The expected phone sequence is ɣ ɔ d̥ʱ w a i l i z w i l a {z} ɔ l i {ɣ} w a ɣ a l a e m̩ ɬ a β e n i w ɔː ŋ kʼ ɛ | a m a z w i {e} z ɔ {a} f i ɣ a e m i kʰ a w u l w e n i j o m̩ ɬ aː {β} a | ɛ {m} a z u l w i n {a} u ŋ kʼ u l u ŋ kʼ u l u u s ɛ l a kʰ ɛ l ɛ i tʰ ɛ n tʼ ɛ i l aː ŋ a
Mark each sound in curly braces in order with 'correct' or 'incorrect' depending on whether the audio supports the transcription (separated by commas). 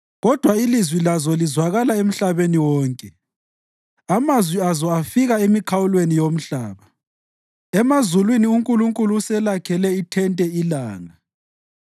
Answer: correct, incorrect, incorrect, correct, correct, correct, incorrect